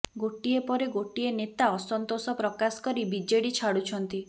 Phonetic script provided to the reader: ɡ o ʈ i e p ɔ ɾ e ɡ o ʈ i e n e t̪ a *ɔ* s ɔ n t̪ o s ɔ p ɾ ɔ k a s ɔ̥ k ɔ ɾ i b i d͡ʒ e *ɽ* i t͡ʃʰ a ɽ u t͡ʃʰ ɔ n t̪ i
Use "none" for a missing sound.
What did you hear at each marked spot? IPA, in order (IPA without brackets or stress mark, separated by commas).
ɔ, ɽ